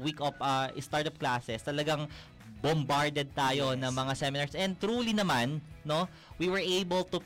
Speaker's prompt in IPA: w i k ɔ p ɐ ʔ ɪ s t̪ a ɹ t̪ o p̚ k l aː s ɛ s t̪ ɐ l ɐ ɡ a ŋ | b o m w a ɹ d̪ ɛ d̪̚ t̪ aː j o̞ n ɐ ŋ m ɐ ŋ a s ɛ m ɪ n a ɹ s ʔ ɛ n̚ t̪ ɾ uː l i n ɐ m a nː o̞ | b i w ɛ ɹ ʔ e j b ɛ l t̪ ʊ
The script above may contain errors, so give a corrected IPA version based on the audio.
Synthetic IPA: w i k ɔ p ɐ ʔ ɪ s t̪ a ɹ t̪ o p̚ k l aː s ɛ s t̪ ɐ l ɐ ɡ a ŋ | b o m b a ɹ d̪ ɛ d̪̚ t̪ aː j o̞ n ɐ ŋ m ɐ ŋ a s ɛ m ɪ n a ɹ s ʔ ɛ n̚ t̪ ɾ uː l i n ɐ m a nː o̞ | w i w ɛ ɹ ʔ e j b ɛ l t̪ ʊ